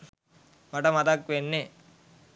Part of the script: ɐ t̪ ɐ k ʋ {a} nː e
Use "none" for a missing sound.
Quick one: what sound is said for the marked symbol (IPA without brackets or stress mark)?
e